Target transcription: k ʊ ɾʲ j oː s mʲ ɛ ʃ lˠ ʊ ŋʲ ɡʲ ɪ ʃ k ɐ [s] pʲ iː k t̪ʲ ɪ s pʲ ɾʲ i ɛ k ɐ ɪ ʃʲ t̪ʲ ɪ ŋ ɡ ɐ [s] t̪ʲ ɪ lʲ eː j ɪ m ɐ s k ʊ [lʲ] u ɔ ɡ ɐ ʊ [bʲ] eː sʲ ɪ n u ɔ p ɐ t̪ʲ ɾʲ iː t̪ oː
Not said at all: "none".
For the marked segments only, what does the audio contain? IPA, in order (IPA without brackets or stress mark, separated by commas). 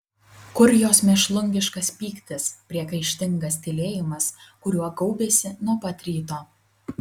s, s, ɾʲ, bʲ